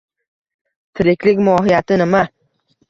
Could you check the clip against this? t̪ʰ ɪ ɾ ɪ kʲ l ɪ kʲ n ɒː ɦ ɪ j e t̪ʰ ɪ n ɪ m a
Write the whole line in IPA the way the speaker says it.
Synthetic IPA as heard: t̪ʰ ɪ ɾ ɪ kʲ l ɪ kʲ m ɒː ɦ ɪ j a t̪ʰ ɪ n ɪ m a